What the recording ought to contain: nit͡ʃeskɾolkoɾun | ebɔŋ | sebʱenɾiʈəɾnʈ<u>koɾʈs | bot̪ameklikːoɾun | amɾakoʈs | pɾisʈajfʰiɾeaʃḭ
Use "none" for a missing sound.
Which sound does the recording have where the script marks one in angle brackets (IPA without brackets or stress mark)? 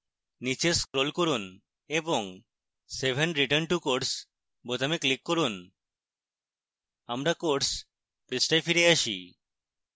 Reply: u